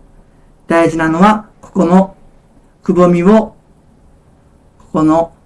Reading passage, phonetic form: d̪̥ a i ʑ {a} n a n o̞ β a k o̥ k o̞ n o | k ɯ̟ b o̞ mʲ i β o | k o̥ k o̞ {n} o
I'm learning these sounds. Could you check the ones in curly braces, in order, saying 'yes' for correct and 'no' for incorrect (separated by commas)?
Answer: no, yes